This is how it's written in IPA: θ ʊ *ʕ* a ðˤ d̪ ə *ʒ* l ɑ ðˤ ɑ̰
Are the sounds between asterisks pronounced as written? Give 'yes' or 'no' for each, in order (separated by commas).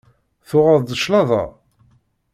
no, no